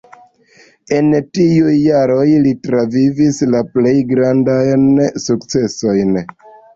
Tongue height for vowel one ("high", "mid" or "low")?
mid